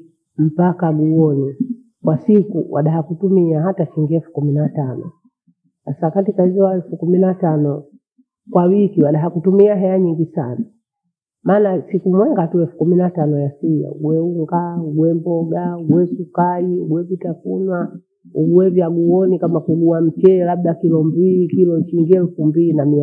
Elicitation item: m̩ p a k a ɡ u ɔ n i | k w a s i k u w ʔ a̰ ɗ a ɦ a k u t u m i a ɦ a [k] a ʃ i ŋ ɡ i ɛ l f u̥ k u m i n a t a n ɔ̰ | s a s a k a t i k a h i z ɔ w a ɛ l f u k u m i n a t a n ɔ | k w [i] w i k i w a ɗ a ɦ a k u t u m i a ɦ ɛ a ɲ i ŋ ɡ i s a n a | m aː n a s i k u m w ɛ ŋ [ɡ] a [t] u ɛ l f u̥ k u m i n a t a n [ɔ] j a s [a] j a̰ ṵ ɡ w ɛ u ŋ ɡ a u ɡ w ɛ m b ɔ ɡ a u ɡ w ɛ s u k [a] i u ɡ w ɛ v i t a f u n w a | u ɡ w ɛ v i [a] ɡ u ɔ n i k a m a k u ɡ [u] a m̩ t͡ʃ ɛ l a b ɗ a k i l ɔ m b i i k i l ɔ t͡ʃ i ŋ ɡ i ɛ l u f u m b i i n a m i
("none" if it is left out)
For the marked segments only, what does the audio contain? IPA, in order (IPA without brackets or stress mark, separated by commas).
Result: t, a, ɡ, t, ɔ, i, a, a, u